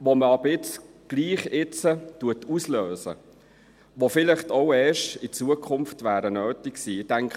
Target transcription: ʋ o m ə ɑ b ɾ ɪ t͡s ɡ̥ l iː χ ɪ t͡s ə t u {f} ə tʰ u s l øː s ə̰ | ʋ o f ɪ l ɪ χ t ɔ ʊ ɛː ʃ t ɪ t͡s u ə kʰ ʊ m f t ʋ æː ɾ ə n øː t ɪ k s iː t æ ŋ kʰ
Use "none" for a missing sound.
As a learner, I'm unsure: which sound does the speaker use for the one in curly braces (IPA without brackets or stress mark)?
none